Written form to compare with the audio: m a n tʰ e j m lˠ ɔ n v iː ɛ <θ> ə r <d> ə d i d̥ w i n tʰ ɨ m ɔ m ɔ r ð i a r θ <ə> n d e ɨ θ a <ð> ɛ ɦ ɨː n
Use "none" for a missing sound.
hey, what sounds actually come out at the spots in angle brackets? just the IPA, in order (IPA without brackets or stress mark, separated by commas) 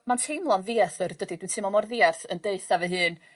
θ, d, ə, v